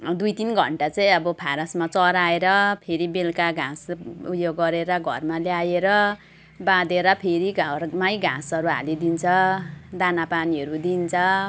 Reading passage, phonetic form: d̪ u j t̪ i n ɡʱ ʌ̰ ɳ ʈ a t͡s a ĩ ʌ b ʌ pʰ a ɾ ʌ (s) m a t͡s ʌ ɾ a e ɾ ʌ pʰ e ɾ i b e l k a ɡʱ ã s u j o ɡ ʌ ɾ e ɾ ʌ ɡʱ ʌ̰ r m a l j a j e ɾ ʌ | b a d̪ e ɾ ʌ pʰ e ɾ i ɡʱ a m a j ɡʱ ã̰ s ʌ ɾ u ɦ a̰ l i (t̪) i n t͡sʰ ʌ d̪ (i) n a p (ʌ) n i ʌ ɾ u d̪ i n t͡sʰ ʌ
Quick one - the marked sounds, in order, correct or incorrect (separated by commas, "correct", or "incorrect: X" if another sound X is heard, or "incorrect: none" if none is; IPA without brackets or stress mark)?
correct, incorrect: d̪, incorrect: a, incorrect: a